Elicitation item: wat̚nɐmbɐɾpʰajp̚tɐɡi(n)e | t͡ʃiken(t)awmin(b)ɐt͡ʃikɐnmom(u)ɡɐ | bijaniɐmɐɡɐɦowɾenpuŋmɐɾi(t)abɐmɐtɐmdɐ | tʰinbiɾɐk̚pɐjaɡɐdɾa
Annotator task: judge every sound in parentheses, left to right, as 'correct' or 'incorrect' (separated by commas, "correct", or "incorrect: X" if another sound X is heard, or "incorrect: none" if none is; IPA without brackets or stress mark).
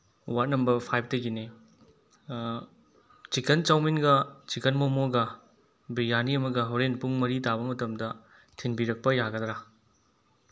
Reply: correct, incorrect: t͡ʃ, incorrect: ɡ, incorrect: o, correct